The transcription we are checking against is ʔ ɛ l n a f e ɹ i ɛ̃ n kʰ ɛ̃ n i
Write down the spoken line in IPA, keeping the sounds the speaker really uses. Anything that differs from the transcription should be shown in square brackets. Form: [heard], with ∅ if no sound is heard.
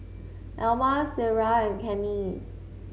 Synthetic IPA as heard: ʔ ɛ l [m] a [s] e ɹ [a] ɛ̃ n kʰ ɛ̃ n i